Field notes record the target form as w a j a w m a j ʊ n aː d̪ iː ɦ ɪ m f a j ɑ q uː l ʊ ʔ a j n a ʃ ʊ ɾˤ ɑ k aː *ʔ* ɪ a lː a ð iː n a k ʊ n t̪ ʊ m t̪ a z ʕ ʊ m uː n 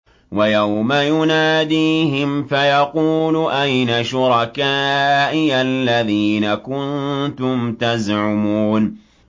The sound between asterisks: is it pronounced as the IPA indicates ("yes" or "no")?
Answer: yes